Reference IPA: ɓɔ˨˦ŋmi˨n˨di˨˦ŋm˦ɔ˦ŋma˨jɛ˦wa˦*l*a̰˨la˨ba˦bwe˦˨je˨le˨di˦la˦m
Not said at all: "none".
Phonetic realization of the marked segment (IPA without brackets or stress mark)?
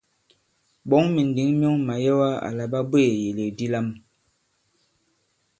none